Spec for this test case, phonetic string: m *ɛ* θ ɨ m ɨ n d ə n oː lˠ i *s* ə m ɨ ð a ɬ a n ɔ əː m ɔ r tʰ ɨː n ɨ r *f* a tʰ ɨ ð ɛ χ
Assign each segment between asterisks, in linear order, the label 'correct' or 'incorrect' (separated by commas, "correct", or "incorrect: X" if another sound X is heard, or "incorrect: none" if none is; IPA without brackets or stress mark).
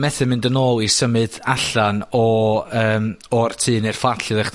correct, correct, correct